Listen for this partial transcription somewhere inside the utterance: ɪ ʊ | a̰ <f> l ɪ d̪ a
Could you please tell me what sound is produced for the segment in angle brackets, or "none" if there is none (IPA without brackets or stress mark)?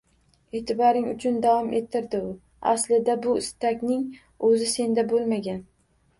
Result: s